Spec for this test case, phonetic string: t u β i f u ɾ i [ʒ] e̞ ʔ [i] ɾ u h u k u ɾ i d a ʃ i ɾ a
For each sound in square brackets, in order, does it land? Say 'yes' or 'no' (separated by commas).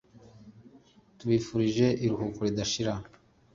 yes, yes